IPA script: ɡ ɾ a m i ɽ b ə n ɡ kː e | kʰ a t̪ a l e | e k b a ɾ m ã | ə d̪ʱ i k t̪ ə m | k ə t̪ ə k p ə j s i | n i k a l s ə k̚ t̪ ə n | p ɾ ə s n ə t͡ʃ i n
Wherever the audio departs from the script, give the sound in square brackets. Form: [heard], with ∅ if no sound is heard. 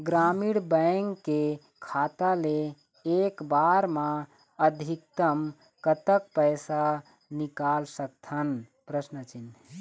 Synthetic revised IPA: ɡ ɾ a m i ɽ b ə [ŋ] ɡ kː e | kʰ a t̪ a l e | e k b a ɾ m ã | ə d̪ʱ i k t̪ ə m | k ə t̪ ə k p ə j s [a] | n i k a l s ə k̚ [t̪ʰ] ə n | p ɾ ə s n ə t͡ʃ i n